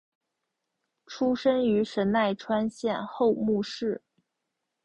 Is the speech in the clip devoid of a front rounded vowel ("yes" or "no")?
no